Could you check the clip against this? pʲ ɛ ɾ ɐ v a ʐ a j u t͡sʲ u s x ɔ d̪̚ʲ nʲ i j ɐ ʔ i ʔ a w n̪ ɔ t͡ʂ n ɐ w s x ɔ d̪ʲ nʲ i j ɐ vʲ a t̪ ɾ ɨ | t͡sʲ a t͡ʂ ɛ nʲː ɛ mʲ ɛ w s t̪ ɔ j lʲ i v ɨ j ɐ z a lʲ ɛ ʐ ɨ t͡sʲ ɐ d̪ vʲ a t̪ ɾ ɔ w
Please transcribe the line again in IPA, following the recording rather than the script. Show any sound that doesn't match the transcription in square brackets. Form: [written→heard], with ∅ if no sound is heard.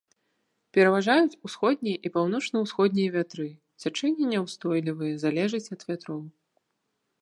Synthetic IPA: pʲ ɛ ɾ ɐ v a ʐ a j u t͡sʲ u s x ɔ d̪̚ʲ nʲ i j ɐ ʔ i [ʔ→p] a w n̪ ɔ t͡ʂ n ɐ w s x ɔ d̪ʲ nʲ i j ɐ vʲ a t̪ ɾ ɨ | t͡sʲ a t͡ʂ ɛ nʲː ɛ [mʲ→nʲ] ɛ w s t̪ ɔ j lʲ i v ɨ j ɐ z a lʲ ɛ ʐ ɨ t͡sʲ ɐ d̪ vʲ a t̪ ɾ ɔ w

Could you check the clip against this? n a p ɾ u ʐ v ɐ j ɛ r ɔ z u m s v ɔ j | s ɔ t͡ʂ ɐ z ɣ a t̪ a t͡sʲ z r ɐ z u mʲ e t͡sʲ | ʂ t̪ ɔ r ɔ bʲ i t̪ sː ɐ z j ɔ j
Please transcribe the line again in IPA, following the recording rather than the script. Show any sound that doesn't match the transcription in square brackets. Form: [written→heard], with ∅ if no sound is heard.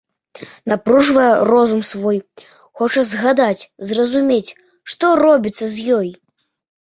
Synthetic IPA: n a p ɾ u ʐ v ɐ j ɛ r ɔ z u m s v ɔ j | [s→x] ɔ t͡ʂ ɐ z ɣ a [t̪→d̪] a t͡sʲ z r ɐ z u mʲ e t͡sʲ | ʂ t̪ ɔ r ɔ bʲ i t̪ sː ɐ z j ɔ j

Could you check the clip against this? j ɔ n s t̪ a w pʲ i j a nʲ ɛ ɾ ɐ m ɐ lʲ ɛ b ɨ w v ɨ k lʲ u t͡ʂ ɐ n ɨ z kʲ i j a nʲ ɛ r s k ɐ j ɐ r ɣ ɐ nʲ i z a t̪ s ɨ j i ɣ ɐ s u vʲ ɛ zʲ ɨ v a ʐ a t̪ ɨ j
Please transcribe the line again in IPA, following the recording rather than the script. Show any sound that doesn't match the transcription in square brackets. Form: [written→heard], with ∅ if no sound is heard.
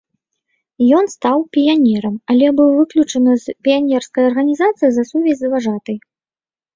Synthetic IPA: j ɔ n s t̪ a w pʲ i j a nʲ ɛ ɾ ɐ m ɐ lʲ ɛ b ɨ w v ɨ k lʲ u t͡ʂ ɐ n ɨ z [kʲ→pʲ] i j a nʲ ɛ r s k ɐ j ɐ r ɣ ɐ nʲ i z a t̪ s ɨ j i [ɣ→z] ɐ s u vʲ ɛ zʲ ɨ v a ʐ a t̪ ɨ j

